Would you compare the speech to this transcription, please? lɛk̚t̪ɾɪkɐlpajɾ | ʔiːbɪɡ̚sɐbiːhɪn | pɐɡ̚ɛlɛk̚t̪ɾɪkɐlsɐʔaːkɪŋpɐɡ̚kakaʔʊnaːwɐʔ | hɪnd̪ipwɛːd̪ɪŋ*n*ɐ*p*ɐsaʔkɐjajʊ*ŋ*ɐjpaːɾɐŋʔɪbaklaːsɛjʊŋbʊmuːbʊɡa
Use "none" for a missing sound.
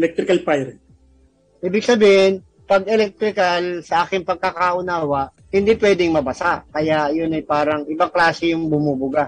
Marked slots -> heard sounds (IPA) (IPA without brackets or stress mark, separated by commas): m, b, n